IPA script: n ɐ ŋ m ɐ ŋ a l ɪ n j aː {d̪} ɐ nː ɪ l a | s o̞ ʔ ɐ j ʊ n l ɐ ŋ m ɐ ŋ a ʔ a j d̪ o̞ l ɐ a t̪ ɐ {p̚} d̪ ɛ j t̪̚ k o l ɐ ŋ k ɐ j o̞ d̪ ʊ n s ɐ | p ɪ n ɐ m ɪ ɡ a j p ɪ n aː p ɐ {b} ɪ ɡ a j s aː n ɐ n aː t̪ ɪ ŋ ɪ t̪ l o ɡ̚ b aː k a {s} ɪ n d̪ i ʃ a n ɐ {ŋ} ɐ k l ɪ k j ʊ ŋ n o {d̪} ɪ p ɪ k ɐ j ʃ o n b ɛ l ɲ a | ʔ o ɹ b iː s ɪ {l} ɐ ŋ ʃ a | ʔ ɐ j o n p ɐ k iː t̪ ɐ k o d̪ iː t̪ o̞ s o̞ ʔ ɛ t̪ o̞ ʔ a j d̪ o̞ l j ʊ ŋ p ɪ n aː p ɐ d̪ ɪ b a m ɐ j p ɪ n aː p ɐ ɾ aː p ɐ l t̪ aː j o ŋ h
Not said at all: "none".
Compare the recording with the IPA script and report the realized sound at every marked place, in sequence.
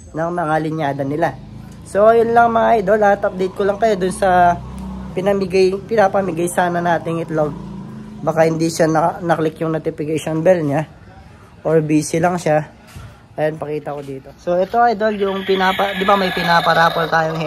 d̪, p̚, m, h, n, t̪, l

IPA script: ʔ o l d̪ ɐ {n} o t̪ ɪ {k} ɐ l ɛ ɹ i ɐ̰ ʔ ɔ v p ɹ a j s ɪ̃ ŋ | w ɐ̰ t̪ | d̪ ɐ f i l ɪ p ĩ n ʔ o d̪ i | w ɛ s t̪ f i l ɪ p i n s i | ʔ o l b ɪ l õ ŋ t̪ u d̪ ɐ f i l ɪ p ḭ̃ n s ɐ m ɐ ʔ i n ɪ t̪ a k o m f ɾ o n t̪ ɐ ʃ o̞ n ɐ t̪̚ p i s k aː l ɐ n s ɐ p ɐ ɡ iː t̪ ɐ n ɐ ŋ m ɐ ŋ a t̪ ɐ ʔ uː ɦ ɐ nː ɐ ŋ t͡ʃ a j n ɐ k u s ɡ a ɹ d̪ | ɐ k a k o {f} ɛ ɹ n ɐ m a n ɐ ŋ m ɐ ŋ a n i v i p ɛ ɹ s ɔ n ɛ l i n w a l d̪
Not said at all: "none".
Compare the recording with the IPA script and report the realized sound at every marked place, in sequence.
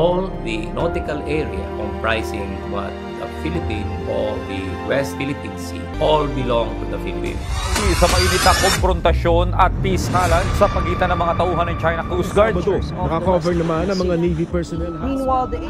n, k, v

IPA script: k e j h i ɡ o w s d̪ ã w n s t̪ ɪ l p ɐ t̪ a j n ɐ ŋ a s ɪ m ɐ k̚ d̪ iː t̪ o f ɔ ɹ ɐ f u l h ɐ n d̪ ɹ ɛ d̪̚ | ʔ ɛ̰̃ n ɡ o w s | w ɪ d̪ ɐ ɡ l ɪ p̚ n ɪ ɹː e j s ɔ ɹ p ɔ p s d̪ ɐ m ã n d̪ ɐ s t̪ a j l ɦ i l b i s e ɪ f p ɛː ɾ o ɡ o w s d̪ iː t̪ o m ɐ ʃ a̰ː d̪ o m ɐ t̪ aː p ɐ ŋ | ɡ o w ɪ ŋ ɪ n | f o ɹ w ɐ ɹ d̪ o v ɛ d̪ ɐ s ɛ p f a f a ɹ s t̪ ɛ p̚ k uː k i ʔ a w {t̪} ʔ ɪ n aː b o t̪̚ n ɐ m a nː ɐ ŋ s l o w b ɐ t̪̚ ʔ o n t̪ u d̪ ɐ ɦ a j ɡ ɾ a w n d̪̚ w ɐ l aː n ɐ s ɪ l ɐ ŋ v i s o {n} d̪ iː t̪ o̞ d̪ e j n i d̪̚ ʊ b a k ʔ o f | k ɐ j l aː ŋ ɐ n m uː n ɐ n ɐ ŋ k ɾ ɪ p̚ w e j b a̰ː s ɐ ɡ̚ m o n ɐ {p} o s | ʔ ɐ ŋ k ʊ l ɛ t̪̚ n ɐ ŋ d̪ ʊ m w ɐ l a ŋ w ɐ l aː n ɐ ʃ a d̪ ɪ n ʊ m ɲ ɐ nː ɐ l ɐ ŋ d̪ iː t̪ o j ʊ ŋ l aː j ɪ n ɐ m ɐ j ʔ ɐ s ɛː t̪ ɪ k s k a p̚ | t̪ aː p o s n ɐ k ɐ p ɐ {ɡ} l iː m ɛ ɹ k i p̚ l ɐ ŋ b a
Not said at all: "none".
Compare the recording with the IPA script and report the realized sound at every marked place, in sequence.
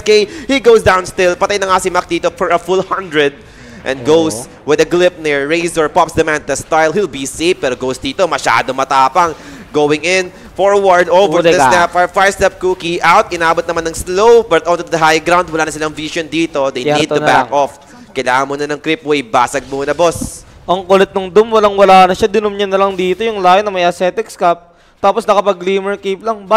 t̪, n, b, ɡ

